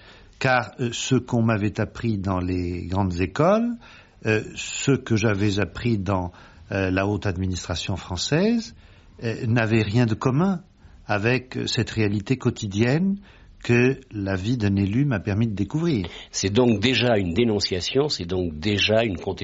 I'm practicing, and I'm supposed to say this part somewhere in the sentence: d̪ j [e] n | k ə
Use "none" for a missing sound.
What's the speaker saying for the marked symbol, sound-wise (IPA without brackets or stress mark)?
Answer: ɛ